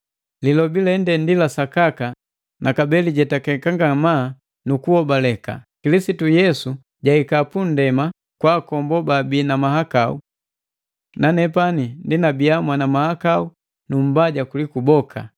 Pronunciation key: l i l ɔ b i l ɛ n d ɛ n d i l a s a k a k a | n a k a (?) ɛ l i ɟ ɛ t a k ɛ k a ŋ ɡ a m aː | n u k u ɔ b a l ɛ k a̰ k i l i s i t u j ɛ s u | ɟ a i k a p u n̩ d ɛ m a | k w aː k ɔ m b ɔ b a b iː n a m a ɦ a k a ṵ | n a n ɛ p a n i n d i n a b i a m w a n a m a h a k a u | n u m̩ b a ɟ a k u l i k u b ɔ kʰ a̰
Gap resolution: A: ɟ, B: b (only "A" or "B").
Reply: B